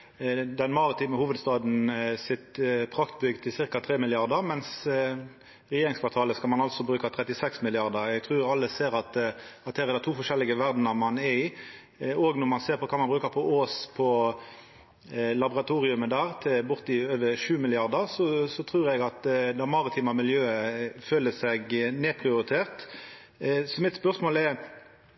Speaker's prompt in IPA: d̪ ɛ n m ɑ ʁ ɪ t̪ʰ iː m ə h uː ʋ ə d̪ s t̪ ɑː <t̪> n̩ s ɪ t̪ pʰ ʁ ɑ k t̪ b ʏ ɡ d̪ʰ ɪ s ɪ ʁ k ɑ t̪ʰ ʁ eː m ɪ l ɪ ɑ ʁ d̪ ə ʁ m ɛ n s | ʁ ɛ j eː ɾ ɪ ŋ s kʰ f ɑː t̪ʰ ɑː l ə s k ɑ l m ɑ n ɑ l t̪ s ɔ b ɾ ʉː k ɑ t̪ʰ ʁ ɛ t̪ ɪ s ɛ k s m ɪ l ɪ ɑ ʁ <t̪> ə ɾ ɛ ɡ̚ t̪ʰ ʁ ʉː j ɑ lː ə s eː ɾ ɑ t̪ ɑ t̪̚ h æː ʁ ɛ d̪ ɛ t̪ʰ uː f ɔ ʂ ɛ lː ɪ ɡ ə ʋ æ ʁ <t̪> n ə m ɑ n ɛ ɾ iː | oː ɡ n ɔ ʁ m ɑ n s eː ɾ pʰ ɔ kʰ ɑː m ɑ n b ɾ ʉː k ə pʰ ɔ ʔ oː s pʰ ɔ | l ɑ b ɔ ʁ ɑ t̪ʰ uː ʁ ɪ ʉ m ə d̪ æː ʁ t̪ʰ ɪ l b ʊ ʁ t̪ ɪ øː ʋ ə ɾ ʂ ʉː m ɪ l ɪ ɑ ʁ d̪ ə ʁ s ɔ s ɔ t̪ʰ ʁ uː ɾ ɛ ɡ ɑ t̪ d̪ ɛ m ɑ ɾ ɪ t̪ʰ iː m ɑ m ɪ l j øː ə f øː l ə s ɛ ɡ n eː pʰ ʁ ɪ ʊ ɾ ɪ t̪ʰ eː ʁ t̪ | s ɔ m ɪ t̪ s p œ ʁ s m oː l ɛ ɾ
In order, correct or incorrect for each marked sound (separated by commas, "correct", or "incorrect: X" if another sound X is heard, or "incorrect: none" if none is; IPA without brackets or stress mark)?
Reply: incorrect: d̪, incorrect: d̪, incorrect: d̪